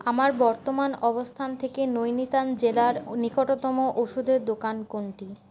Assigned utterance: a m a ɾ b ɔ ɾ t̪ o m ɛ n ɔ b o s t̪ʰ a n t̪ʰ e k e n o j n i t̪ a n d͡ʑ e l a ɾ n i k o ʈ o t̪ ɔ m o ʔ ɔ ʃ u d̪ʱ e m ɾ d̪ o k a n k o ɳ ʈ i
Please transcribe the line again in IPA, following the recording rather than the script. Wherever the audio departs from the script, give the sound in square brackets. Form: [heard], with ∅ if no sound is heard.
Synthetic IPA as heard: a m a ɾ b ɔ ɾ t̪ o m [a] n ɔ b o s t̪ʰ a n t̪ʰ e k e n o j n i t̪ a n d͡ʑ e l a ɾ n i k o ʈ o t̪ ɔ m o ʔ [o] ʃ u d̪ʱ e [∅] ɾ d̪ o k a n k o ɳ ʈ i